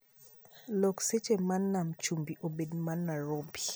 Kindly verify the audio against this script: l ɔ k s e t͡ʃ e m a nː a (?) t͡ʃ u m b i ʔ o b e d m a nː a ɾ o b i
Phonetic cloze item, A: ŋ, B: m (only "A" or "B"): B